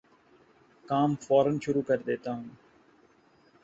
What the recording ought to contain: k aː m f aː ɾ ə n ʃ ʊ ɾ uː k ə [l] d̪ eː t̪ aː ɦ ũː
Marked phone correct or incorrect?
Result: incorrect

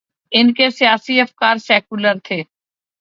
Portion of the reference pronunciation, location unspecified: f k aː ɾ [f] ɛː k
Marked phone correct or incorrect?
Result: incorrect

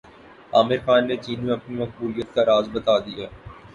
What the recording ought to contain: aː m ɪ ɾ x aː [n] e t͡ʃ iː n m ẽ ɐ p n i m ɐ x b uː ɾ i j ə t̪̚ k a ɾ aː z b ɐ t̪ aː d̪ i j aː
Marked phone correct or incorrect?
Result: incorrect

